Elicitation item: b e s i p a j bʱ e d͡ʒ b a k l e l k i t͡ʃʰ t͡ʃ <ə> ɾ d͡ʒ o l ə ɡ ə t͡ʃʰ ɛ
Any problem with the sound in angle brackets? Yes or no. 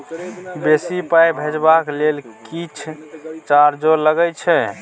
yes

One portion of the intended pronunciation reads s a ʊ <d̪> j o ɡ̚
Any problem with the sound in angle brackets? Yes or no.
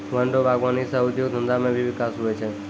no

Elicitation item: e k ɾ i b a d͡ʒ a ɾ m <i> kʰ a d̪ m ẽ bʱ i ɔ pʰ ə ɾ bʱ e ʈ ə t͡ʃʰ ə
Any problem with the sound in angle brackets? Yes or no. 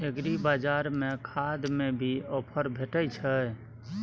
yes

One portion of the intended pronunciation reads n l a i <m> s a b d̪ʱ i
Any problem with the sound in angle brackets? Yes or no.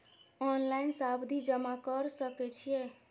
yes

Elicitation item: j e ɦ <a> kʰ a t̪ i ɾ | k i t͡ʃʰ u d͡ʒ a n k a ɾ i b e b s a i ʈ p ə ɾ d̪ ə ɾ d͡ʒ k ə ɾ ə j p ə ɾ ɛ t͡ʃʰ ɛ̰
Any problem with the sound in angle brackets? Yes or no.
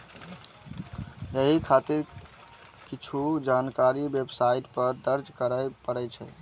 yes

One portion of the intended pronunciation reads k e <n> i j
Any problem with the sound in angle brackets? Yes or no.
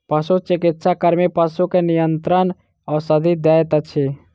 no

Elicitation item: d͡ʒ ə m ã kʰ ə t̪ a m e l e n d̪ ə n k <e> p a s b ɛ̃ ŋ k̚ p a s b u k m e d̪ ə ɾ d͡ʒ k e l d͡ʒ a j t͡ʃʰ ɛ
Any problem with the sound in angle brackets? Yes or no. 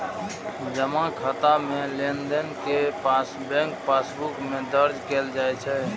no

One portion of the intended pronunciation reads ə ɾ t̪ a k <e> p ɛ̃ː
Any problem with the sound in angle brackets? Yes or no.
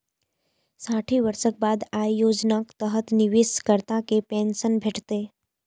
no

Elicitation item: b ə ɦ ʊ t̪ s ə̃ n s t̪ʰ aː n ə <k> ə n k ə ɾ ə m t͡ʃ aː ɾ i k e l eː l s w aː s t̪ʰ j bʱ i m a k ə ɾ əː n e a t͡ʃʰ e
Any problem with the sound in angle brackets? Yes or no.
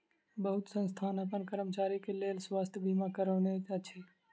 yes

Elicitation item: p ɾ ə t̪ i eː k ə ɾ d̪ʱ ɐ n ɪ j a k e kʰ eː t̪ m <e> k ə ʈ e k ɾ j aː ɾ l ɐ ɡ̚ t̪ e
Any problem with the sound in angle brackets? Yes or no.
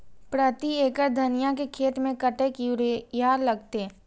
yes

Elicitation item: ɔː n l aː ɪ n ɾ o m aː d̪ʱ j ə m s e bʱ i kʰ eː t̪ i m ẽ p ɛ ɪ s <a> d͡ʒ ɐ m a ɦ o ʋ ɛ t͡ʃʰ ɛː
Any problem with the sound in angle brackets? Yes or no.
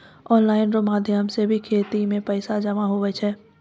no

